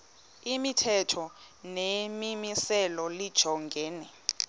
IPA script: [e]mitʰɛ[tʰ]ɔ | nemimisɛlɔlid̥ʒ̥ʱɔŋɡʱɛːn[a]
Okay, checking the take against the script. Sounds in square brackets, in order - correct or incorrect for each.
incorrect: i, correct, incorrect: ɛ

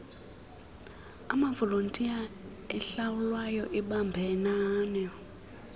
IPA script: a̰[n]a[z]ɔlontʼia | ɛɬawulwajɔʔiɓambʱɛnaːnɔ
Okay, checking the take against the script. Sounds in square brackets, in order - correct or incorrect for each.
incorrect: m, incorrect: v

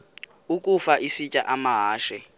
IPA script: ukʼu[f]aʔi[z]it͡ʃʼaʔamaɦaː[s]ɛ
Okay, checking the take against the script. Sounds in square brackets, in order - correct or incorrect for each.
correct, incorrect: s, incorrect: ʃ

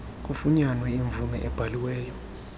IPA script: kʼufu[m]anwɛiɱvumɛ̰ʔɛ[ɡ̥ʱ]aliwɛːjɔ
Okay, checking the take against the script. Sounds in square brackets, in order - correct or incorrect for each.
incorrect: ɲ, incorrect: b̥ʱ

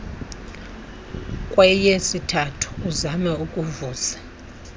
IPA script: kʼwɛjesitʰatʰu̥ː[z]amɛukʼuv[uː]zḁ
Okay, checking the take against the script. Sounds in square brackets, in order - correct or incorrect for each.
correct, correct

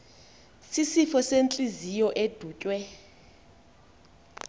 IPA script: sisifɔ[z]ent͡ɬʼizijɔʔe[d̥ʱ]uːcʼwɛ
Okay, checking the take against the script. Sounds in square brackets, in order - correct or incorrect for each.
incorrect: s, correct

